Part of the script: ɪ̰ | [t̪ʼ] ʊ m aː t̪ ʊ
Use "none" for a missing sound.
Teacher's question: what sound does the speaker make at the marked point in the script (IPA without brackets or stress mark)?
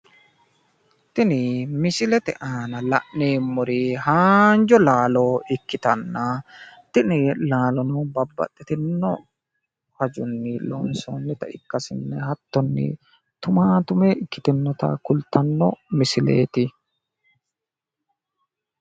t̪